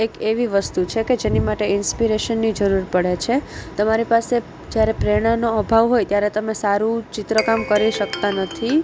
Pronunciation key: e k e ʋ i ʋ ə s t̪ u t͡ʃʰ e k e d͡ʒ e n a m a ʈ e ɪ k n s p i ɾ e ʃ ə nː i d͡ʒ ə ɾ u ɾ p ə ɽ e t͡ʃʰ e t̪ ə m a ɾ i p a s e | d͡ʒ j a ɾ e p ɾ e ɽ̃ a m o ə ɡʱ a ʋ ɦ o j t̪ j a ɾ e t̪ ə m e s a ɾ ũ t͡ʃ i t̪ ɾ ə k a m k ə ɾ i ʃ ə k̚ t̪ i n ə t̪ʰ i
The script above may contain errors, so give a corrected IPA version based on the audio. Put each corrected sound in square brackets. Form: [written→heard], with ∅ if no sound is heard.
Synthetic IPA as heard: e k e ʋ i ʋ ə s t̪ u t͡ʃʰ e k e d͡ʒ e n [a→i] m a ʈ e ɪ [k→∅] n s p i ɾ e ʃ ə nː i d͡ʒ ə ɾ u ɾ p ə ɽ e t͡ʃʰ e t̪ ə m a ɾ i p a s e | d͡ʒ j a ɾ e p ɾ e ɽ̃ a [m→n] o ə [ɡʱ→bʱ] a ʋ ɦ o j t̪ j a ɾ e t̪ ə m e s a ɾ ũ t͡ʃ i t̪ ɾ ə k a m k ə ɾ i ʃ ə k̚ t̪ [i→a] n ə t̪ʰ i